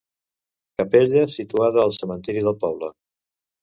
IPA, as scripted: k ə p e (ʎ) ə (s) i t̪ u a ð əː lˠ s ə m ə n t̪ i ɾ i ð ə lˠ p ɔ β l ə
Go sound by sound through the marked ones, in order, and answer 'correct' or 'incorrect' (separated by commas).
correct, correct